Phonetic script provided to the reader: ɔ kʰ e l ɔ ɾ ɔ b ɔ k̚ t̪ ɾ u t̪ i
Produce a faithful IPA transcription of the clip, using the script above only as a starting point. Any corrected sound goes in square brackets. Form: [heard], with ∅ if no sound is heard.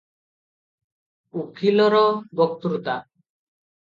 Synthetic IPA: [u] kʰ [i] l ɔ ɾ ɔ b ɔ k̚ t̪ ɾ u t̪ [a]

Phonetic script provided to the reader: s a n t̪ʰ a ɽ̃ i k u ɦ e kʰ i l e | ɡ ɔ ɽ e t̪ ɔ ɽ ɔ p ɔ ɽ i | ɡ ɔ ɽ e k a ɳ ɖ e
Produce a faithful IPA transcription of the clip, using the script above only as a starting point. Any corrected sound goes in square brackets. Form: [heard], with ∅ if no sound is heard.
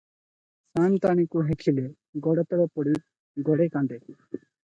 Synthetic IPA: s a n [t̪] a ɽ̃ i k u ɦ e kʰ i l e | ɡ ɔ ɽ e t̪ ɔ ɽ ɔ p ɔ ɽ i | ɡ ɔ ɽ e k a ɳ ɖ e

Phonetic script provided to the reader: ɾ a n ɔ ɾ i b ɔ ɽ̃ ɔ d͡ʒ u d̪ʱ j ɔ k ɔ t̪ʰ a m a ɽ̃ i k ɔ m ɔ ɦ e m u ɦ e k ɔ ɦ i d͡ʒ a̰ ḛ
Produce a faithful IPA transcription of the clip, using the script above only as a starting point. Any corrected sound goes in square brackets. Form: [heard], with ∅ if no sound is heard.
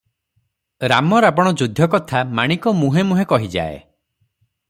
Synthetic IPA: ɾ a [m] ɔ ɾ [a] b ɔ ɽ̃ ɔ d͡ʒ u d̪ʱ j ɔ k ɔ t̪ʰ a m a ɽ̃ i k ɔ m [u] ɦ e m u ɦ e k ɔ ɦ i d͡ʒ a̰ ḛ

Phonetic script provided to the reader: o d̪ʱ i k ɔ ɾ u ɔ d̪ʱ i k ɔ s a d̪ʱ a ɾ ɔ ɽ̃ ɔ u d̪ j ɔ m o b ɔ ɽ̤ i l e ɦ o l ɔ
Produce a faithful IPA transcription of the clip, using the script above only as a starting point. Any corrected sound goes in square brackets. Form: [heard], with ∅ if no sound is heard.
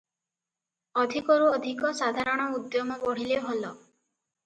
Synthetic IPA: [ɔ] d̪ʱ i k ɔ ɾ u ɔ d̪ʱ i k ɔ s a d̪ʱ a ɾ ɔ ɽ̃ ɔ u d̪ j ɔ m [ɔ] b ɔ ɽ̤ i l e ɦ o l ɔ

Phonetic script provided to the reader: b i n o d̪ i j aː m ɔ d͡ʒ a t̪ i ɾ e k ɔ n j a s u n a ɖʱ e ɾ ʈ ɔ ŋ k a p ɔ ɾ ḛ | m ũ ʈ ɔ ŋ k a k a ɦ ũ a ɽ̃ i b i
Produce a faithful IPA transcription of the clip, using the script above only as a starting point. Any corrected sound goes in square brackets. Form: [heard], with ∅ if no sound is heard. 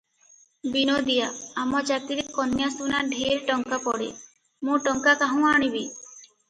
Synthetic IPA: b i n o d̪ i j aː m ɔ d͡ʒ a t̪ i ɾ e k ɔ n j a s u n a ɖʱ e ɾ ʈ ɔ ŋ k a p ɔ [ɽ] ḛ | m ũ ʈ ɔ ŋ k a k a ɦ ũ a ɽ̃ i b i

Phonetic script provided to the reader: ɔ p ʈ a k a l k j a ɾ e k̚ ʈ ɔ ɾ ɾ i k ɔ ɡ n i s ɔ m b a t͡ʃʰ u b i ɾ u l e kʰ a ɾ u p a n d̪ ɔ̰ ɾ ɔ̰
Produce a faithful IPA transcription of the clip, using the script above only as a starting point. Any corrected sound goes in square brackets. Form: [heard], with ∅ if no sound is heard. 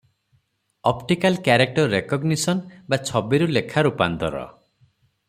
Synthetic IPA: ɔ p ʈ [i] k a l k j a ɾ e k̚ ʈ ɔ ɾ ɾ [e] k ɔ ɡ n i s ɔ [n] b a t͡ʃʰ [ɔ] b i ɾ u l e kʰ a ɾ u p a n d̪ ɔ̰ ɾ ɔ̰

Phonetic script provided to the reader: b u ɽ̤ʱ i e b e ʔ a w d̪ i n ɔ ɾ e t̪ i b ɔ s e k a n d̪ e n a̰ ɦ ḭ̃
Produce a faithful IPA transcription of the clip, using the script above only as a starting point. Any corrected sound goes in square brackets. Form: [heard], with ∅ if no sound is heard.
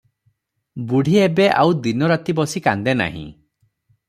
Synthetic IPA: b u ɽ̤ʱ i e b e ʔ a w d̪ i n ɔ ɾ [a] t̪ i b ɔ s [i] k a n d̪ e n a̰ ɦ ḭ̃

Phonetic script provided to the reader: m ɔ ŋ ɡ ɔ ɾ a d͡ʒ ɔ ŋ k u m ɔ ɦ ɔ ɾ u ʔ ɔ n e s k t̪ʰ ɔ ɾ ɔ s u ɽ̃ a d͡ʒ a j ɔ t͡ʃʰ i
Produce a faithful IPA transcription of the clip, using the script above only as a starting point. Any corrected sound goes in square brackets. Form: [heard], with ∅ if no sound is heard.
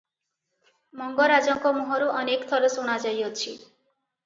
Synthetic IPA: m ɔ ŋ ɡ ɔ ɾ a d͡ʒ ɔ ŋ k [ɔ] m [u] ɦ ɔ ɾ u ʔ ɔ n e [∅] k t̪ʰ ɔ ɾ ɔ s u ɽ̃ a d͡ʒ a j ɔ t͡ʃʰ i

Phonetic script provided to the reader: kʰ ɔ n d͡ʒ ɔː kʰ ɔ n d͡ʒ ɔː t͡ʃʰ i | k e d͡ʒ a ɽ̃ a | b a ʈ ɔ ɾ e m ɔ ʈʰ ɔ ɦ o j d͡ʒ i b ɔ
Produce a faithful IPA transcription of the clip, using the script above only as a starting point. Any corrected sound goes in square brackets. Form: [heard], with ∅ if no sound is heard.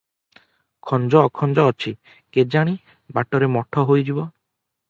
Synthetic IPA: kʰ ɔ n d͡ʒ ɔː kʰ ɔ n d͡ʒ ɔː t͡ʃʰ i | k e d͡ʒ a ɽ̃ [i] | b a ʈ ɔ ɾ e m ɔ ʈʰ ɔ ɦ o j d͡ʒ i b ɔ

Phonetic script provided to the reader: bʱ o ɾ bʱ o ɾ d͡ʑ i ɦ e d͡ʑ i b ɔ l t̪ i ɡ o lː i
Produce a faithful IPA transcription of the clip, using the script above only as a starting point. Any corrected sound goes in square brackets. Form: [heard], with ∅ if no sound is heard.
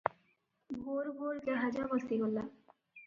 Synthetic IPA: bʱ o ɾ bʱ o ɾ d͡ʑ [a] ɦ [a] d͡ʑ [a] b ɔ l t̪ i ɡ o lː [a]

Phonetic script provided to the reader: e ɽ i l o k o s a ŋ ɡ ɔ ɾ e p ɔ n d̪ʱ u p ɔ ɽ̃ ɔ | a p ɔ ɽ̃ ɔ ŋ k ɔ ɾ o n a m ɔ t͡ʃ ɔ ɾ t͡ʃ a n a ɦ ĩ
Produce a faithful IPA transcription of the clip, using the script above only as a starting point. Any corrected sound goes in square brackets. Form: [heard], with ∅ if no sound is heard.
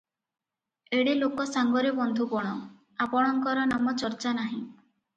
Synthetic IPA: e ɽ i l o k [ɔ] s a ŋ ɡ ɔ ɾ e [b] ɔ n d̪ʱ u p ɔ ɽ̃ ɔ | a p ɔ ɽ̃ ɔ ŋ k ɔ ɾ [ɔ] n a m ɔ t͡ʃ ɔ ɾ t͡ʃ a n a ɦ ĩ

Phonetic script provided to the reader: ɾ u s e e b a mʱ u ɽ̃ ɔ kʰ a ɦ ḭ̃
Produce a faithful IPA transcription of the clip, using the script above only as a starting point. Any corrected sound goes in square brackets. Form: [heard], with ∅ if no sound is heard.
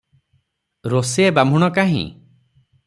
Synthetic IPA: ɾ [o] s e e b a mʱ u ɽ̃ ɔ [k] a ɦ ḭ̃

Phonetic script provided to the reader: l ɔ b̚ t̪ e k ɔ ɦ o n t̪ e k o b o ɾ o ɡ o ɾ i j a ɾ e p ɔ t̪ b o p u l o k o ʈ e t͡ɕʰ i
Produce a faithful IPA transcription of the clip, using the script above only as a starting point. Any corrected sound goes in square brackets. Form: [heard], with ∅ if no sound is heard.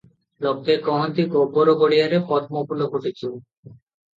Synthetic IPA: l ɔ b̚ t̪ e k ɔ ɦ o n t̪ [i] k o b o ɾ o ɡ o [ɽ] i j a ɾ e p ɔ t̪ [m] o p u l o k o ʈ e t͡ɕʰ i

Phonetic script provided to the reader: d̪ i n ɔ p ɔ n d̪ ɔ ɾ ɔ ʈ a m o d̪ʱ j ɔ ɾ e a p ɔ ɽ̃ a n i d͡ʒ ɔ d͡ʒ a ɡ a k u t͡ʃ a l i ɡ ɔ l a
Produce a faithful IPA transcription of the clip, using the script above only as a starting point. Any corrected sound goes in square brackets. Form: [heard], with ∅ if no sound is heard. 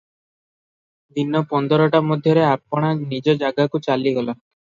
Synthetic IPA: d̪ i n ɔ p ɔ n d̪ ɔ ɾ ɔ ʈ a m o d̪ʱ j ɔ ɾ e a p ɔ ɽ̃ a n i d͡ʒ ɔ d͡ʒ a ɡ a k u t͡ʃ a l i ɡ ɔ l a

